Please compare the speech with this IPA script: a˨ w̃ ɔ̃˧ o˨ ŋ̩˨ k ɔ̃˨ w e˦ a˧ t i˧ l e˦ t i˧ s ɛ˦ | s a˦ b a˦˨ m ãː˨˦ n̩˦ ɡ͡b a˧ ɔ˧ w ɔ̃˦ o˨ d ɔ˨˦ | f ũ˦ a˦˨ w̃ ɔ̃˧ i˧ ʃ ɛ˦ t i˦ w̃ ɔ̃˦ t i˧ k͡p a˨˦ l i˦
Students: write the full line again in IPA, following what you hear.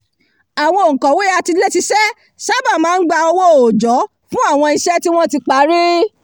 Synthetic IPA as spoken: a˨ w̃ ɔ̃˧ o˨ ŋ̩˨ k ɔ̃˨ w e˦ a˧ t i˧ l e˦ t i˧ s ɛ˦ | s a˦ b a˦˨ m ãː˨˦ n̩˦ ɡ͡b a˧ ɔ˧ w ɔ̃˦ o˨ d͡ʒ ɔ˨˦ | f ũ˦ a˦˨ w̃ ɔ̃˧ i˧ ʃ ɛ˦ t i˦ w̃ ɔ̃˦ t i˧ k͡p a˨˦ ɾ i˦